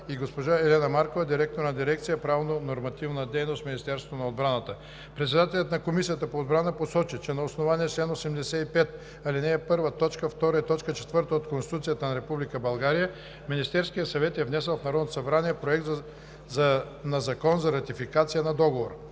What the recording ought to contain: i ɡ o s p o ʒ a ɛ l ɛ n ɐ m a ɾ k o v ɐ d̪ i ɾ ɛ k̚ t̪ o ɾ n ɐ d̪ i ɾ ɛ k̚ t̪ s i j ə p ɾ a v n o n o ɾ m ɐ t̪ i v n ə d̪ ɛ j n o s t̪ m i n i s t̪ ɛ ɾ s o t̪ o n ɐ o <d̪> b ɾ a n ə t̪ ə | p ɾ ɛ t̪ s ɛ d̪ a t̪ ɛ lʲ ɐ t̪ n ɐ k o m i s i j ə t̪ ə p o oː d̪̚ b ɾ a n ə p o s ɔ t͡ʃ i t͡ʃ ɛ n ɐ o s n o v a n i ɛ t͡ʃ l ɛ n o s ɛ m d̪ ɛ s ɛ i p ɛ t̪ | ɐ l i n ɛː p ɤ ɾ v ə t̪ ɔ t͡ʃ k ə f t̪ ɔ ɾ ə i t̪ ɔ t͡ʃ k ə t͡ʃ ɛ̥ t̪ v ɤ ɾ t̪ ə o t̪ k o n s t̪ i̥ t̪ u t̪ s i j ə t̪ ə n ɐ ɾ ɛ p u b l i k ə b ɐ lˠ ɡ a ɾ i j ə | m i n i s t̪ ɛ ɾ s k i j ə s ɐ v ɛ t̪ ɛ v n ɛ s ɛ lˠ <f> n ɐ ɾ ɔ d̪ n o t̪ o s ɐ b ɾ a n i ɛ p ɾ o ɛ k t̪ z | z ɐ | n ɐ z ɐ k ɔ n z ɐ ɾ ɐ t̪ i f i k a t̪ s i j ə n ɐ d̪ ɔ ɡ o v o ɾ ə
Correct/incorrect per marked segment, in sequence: correct, correct

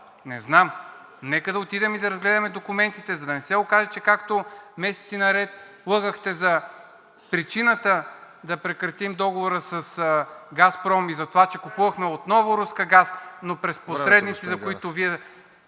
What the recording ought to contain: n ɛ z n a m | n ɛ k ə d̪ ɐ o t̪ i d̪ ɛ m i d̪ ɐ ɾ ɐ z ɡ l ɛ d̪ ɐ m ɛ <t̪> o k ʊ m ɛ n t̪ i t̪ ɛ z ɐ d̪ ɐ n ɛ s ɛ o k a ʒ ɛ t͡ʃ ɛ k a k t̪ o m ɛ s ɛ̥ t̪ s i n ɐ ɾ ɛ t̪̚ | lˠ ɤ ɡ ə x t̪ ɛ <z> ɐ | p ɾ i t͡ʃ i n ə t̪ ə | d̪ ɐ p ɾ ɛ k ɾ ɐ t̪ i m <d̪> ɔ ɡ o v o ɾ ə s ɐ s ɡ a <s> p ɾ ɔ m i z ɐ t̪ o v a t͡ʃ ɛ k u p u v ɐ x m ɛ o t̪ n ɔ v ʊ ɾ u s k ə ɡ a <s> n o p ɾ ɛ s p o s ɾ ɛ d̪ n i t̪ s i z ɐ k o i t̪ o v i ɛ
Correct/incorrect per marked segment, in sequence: incorrect: d̪, correct, correct, correct, correct

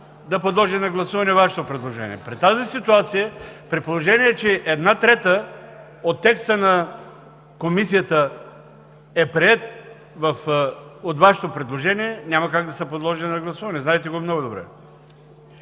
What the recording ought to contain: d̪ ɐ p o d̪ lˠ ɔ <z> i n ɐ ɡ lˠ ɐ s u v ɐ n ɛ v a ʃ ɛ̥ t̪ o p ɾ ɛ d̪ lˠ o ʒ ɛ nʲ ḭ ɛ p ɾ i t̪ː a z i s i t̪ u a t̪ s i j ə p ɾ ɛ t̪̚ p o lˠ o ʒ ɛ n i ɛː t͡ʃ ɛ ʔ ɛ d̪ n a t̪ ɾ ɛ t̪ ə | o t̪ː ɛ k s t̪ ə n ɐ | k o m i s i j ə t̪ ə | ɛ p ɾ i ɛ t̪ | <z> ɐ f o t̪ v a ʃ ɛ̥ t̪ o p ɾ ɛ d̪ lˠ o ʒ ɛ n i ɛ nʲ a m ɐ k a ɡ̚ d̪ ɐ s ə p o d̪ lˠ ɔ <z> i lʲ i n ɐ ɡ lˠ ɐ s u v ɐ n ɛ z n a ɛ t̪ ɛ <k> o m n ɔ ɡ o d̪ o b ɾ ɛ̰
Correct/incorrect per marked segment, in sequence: incorrect: ʒ, incorrect: v, incorrect: ʒ, incorrect: ɡ

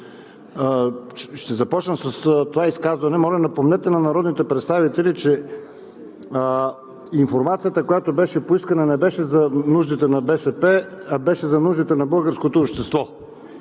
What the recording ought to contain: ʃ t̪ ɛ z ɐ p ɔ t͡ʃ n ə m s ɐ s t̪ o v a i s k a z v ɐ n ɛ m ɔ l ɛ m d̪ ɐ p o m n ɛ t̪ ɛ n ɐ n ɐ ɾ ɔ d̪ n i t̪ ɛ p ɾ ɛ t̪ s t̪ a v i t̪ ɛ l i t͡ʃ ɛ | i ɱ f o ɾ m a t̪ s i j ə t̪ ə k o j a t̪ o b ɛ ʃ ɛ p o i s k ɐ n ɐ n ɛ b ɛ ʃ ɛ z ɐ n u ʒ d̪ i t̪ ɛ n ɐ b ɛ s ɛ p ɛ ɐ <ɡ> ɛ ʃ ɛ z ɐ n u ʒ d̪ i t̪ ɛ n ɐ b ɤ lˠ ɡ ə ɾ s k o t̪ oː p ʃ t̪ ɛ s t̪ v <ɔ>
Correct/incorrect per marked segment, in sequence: incorrect: b, correct

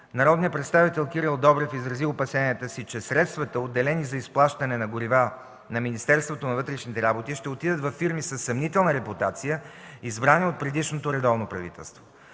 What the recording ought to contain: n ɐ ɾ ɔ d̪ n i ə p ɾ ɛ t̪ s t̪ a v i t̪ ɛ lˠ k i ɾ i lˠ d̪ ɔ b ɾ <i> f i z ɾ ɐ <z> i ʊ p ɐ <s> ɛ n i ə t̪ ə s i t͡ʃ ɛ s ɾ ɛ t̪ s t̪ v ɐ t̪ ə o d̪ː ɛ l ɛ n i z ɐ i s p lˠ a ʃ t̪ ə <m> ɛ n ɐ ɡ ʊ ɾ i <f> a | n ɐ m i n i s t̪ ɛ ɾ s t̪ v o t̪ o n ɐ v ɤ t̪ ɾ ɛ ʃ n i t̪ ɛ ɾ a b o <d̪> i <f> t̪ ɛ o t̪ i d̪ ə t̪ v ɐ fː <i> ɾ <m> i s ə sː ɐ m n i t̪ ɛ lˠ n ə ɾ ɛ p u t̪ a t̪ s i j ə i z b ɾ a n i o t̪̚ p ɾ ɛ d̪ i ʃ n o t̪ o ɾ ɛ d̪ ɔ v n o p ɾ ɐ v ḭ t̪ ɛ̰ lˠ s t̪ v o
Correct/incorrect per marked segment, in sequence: incorrect: ɛ, correct, correct, incorrect: n, incorrect: v, incorrect: t̪, incorrect: ʃ, correct, correct

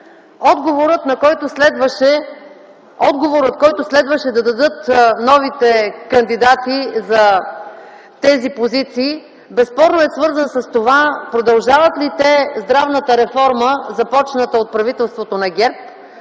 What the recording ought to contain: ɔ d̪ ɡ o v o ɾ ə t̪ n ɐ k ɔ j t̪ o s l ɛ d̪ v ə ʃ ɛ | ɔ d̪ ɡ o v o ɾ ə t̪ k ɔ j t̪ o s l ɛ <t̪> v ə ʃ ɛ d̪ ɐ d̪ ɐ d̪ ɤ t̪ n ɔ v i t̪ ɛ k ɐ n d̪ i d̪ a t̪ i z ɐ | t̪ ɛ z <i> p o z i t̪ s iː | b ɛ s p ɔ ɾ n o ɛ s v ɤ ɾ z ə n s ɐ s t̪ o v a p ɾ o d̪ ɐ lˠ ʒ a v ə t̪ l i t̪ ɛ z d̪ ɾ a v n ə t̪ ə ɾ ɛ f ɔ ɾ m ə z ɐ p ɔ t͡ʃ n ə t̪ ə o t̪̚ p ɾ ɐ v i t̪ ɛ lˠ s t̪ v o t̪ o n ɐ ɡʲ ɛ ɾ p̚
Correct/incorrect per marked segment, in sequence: incorrect: d̪, correct

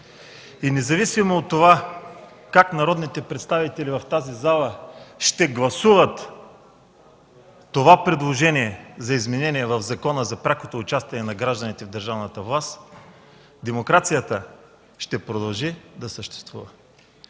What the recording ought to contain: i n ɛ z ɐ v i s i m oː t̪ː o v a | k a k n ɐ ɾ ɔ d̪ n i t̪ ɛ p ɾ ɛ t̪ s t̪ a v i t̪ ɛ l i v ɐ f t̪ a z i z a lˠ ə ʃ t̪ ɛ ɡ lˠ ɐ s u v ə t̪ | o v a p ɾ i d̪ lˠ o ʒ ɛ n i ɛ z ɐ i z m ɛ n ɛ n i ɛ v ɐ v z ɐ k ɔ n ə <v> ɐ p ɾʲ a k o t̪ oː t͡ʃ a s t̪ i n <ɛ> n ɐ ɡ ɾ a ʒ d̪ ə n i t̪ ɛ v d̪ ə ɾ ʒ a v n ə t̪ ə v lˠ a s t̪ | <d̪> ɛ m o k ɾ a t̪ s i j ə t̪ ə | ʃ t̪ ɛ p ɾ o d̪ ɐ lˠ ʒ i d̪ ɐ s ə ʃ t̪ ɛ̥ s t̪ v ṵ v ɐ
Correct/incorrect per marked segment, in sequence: incorrect: z, correct, correct

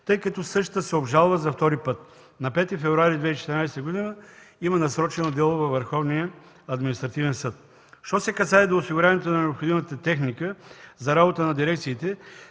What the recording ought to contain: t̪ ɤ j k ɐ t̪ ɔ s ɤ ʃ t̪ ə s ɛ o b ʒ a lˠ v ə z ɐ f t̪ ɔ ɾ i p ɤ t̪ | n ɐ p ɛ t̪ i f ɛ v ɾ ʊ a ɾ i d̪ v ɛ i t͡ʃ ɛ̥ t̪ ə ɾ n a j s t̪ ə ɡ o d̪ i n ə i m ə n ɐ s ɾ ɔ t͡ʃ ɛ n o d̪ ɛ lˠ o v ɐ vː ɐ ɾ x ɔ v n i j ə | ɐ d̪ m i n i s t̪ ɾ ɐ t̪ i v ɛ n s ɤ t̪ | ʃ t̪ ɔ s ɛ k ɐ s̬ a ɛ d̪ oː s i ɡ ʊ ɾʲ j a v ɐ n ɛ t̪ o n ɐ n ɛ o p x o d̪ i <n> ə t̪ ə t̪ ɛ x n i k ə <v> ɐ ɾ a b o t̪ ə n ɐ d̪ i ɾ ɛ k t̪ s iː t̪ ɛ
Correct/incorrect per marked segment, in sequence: incorrect: m, incorrect: z

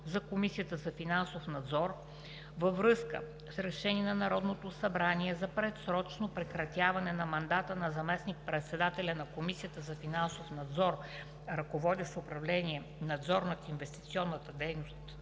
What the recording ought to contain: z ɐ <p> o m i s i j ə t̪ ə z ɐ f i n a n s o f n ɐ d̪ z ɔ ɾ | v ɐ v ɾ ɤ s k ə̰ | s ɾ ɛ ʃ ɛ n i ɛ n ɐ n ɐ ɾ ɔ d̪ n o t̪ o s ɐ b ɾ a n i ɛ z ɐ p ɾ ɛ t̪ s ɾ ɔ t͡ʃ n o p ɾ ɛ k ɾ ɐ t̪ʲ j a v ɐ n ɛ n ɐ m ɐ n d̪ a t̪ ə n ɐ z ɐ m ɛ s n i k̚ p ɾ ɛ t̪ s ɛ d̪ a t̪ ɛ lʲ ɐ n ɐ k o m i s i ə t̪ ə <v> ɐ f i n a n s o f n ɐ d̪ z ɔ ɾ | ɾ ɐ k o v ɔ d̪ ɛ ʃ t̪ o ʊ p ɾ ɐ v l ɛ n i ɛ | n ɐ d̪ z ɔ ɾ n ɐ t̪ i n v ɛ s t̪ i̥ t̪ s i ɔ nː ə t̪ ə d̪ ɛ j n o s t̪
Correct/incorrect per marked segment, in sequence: incorrect: k, incorrect: z

